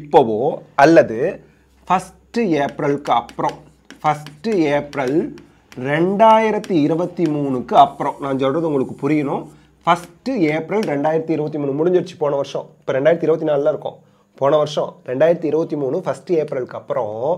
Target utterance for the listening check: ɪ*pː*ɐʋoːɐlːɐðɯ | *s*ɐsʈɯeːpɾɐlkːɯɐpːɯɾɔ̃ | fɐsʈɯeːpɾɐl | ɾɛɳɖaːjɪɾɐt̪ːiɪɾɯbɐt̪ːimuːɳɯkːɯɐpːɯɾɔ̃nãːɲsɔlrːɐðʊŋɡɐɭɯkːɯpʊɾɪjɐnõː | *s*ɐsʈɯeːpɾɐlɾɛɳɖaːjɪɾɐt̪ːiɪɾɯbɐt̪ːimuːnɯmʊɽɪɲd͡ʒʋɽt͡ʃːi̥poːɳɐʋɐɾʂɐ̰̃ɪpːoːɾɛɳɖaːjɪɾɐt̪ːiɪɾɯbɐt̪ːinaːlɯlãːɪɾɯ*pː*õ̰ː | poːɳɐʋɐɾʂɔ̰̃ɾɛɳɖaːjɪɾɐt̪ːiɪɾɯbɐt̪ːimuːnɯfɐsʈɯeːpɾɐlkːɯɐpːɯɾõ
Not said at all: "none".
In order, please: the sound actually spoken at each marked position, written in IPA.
pː, f, f, kː

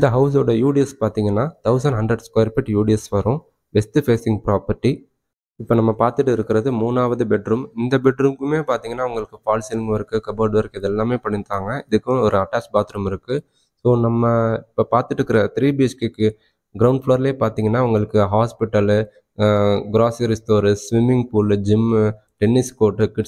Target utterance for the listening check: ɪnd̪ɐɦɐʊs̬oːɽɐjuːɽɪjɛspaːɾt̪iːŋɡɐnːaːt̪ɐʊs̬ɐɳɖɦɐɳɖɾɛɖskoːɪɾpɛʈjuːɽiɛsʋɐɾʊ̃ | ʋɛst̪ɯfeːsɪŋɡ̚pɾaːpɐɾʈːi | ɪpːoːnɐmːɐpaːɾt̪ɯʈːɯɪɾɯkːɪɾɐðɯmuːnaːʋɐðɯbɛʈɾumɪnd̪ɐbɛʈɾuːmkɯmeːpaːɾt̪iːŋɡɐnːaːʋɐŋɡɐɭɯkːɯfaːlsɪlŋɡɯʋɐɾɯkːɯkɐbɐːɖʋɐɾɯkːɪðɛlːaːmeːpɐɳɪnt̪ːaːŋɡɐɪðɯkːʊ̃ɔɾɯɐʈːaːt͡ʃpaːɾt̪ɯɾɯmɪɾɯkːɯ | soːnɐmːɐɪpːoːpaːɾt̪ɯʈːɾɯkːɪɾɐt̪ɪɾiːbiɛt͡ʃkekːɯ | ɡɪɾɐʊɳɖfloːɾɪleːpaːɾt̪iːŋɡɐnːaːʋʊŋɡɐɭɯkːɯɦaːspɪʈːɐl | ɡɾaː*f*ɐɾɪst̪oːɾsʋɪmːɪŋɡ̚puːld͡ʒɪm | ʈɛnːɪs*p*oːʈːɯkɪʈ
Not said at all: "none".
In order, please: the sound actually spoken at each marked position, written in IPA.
s, k

